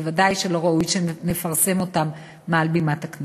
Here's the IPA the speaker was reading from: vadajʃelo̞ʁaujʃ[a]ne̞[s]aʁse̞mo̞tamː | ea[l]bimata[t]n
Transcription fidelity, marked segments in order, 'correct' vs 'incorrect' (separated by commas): incorrect, incorrect, correct, incorrect